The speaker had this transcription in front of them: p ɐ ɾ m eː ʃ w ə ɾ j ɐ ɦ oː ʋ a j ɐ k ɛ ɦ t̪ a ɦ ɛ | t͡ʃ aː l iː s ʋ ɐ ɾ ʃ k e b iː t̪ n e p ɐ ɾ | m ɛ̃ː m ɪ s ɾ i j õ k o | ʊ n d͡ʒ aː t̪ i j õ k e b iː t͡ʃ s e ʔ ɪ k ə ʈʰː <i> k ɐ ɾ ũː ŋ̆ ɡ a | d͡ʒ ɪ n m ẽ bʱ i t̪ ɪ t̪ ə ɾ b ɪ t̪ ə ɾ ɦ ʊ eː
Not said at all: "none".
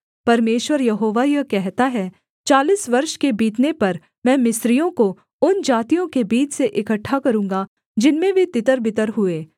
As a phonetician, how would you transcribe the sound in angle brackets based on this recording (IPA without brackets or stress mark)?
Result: a